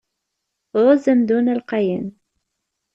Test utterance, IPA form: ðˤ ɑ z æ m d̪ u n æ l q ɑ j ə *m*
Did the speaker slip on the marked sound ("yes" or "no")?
yes